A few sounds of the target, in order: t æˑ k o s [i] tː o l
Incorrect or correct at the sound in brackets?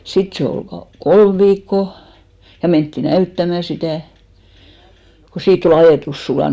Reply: incorrect: iː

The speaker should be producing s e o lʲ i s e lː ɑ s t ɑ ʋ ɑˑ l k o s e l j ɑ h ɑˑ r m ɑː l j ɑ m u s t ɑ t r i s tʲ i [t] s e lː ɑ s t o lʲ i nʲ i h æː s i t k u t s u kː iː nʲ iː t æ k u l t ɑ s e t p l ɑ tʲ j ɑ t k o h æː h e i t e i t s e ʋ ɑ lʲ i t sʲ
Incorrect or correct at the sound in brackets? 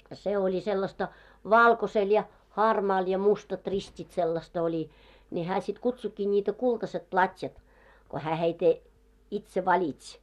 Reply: correct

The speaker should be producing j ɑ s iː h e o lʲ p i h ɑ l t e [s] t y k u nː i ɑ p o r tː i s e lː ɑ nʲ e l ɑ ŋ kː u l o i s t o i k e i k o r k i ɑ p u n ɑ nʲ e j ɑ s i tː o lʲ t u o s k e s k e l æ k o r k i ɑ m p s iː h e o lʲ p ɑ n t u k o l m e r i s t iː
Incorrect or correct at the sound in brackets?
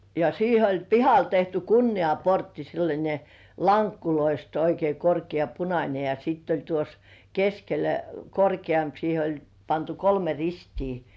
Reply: incorrect: h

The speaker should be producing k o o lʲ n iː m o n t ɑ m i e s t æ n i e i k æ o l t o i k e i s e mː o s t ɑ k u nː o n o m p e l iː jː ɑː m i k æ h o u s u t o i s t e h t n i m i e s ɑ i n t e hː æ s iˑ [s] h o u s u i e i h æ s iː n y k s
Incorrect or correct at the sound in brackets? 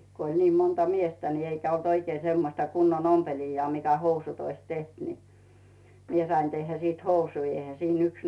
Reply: incorrect: t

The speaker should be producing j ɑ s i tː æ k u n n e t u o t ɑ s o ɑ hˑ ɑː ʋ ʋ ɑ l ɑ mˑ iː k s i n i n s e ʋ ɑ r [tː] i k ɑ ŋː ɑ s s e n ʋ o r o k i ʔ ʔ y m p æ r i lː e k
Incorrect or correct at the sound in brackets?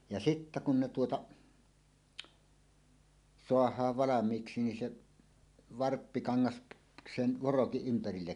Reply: incorrect: pː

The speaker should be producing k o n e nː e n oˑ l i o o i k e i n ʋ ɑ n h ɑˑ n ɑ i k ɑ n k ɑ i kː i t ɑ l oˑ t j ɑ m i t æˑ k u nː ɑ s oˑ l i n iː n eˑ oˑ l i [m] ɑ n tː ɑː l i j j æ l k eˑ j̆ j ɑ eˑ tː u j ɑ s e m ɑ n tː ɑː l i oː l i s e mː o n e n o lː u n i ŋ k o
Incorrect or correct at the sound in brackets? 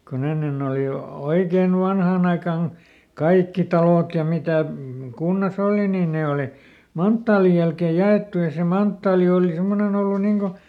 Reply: correct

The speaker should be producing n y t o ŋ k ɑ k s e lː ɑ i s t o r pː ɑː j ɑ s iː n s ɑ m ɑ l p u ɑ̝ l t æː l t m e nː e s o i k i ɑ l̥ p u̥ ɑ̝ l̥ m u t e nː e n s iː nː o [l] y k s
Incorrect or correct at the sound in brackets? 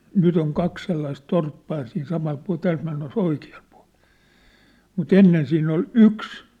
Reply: correct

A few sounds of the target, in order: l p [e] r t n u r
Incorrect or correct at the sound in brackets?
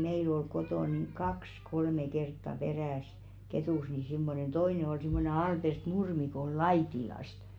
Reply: correct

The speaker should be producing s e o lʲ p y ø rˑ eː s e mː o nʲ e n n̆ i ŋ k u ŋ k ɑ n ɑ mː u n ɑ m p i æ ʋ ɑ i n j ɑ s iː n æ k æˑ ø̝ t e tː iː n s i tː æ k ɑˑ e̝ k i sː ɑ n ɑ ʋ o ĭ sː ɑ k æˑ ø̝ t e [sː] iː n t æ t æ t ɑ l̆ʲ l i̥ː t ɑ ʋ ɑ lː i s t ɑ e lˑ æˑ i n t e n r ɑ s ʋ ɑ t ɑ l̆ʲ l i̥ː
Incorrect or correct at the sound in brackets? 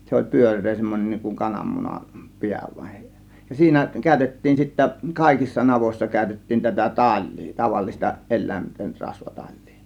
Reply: incorrect: tː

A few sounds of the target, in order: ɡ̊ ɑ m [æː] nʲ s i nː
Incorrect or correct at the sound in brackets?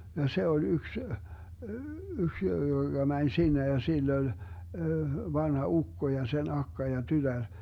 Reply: incorrect: æ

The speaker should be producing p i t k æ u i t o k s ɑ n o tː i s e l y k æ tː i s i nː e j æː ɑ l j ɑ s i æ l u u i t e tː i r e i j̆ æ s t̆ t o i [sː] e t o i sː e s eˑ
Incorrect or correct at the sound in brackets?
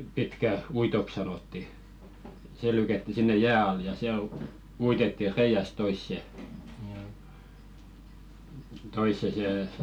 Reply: correct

